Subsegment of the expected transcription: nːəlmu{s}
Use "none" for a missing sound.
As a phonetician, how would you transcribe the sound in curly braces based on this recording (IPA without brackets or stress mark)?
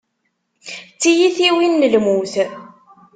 θ